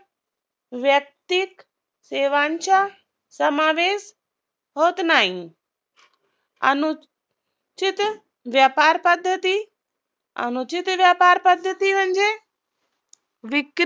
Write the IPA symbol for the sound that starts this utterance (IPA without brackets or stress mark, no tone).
ʋ